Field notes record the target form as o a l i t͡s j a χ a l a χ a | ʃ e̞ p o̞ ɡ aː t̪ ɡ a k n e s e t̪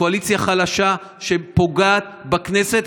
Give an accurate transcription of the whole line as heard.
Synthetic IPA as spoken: o a l i t͡s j a χ a l a ʃ a | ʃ e̞ p o̞ ɡ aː t̪ b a k n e s e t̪